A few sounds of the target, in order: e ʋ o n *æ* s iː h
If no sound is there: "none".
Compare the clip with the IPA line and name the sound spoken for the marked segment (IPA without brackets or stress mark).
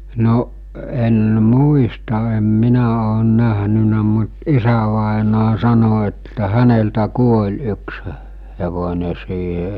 e